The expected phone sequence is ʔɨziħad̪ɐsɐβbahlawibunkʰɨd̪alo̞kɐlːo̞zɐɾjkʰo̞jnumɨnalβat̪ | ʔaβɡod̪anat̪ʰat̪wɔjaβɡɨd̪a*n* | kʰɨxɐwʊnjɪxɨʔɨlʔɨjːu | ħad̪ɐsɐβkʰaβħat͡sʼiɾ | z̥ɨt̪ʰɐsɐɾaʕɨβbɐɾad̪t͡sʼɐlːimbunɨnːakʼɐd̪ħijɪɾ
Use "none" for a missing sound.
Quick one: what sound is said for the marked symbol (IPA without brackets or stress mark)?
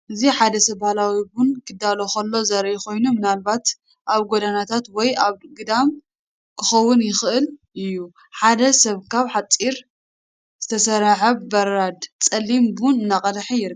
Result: m